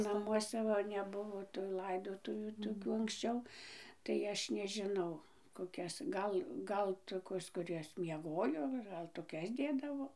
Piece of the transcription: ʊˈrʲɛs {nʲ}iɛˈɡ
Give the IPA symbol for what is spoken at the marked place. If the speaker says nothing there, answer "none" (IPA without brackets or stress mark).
mʲ